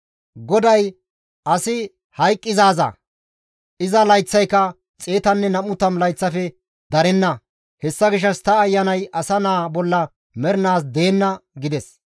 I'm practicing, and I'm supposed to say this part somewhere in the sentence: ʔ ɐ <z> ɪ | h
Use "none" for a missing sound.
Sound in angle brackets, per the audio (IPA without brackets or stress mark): s